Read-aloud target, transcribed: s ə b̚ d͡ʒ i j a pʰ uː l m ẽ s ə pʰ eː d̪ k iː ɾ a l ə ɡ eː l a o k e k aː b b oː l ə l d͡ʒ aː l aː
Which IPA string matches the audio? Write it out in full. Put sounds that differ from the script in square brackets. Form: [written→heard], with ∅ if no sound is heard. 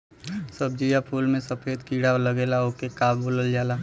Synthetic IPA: s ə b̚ d͡ʒ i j a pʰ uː l m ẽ s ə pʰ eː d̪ k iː [ɾ→ɽ] a l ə ɡ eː l a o k e k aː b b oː l ə l d͡ʒ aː l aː